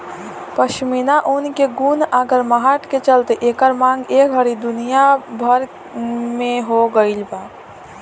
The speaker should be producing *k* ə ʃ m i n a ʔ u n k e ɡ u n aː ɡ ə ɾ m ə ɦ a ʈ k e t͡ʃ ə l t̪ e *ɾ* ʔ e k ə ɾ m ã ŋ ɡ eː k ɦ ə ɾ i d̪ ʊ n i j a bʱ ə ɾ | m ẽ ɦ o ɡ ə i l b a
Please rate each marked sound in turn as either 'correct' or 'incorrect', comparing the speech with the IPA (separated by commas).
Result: incorrect, incorrect